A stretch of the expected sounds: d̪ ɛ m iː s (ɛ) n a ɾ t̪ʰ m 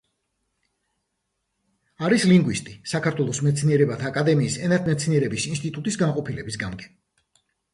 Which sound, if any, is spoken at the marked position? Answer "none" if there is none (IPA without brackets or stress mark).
ɛ